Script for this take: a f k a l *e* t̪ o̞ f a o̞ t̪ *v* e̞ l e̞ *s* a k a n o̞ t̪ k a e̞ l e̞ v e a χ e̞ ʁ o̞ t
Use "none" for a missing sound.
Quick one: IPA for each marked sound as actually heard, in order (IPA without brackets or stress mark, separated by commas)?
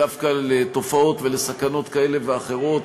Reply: e, v, s